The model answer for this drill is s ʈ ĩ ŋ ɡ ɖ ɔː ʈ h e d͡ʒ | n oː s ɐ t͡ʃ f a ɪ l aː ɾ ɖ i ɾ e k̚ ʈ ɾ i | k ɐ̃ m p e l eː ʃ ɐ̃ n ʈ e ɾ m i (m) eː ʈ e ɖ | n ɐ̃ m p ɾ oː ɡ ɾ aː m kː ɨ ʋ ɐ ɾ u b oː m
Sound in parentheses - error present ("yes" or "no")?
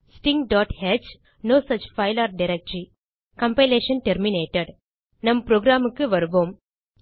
yes